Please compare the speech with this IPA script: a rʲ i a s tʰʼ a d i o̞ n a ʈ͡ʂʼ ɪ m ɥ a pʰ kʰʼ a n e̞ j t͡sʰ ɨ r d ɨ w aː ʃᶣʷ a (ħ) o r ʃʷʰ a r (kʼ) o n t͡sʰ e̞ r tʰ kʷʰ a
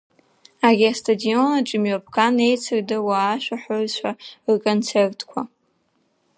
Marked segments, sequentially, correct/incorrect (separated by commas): correct, correct